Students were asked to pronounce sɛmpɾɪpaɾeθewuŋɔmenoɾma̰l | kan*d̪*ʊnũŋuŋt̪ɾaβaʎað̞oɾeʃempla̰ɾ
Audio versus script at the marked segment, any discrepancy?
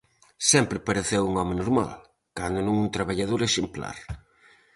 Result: no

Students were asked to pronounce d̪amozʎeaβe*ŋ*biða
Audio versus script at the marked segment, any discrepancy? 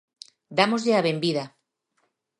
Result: yes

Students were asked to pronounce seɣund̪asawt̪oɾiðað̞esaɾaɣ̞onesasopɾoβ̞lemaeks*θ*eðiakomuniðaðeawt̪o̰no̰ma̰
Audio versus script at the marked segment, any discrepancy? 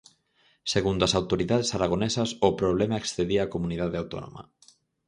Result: no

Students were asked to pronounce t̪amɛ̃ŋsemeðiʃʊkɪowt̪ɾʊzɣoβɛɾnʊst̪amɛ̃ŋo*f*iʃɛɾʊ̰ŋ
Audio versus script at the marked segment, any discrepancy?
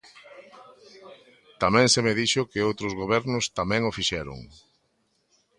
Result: no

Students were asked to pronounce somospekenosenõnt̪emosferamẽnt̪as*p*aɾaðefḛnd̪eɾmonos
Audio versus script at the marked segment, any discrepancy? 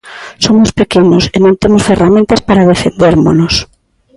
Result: no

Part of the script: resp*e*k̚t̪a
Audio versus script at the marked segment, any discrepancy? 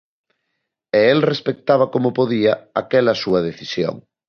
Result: no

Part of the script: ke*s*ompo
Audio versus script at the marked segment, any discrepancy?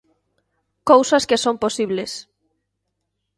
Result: no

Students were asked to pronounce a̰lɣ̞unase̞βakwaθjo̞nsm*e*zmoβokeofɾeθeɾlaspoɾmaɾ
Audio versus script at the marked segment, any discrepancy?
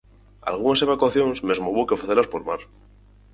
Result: no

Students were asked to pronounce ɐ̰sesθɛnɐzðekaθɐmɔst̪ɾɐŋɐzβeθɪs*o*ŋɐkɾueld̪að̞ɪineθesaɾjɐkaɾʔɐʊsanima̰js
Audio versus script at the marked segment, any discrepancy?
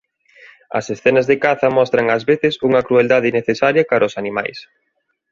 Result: yes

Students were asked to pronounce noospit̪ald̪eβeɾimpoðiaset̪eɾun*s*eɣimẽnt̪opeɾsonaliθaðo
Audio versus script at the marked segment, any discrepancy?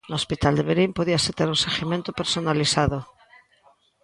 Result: no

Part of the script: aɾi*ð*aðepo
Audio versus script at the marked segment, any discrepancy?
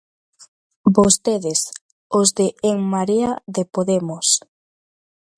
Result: yes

